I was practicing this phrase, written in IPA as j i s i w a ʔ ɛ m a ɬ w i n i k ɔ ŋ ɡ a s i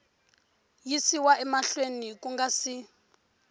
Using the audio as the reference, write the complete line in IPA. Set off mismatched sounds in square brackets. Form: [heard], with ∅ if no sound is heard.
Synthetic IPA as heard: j i s i w a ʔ ɛ m a ɬ w [e] n i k [u] ŋ ɡ a s i